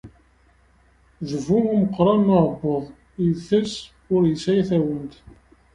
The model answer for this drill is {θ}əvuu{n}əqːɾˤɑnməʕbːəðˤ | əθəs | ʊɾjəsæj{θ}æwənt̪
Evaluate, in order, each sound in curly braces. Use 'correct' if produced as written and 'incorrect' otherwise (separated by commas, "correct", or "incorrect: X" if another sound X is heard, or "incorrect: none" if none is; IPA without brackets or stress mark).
incorrect: ð, incorrect: m, correct